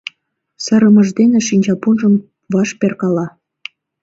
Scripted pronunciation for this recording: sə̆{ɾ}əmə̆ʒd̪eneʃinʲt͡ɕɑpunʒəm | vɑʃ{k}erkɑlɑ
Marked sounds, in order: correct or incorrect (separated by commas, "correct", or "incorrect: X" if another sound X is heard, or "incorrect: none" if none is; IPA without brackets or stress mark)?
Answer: correct, incorrect: p